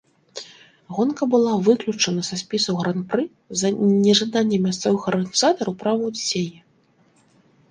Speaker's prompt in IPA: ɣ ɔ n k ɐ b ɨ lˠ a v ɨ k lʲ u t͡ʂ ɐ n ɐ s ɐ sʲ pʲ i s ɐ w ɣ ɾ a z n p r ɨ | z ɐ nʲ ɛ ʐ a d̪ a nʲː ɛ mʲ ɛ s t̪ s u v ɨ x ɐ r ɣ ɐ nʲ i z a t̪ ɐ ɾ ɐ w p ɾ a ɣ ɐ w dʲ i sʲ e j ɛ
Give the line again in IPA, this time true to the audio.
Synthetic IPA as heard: ɣ ɔ n k ɐ b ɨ lˠ a v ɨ k lʲ u t͡ʂ ɐ n ɐ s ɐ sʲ pʲ i s ɐ w ɣ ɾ a n p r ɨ | z ɐ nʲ ɛ ʐ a d̪ a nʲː ɛ mʲ a s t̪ s ɔ v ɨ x ɐ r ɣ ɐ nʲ i z a t̪ ɐ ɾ ɐ w p ɾ a v ɐ w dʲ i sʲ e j ɛ